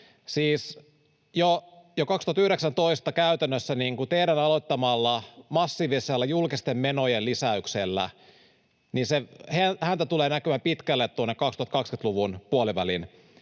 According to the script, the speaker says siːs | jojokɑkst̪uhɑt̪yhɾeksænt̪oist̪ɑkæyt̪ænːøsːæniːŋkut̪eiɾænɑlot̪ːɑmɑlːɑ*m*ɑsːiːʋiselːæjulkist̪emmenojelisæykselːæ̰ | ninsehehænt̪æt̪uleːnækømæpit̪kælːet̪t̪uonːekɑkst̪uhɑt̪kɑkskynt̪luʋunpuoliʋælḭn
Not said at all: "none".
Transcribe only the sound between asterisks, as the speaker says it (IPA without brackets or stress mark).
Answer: m